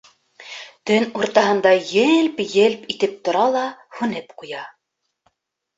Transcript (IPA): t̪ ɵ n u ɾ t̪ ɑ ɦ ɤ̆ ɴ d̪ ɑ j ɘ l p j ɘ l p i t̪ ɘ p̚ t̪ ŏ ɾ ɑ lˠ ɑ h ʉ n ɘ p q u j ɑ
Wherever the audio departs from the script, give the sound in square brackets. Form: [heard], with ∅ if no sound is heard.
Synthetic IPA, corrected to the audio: t̪ ɵ n u ɾ t̪ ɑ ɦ ɤ̆ [n] d̪ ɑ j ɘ l p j ɘ l p i t̪ ɘ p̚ t̪ ŏ ɾ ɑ lˠ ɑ h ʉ n ɘ p q u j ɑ